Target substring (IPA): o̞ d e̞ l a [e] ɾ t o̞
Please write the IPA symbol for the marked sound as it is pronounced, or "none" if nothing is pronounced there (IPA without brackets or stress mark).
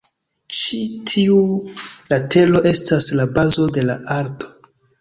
a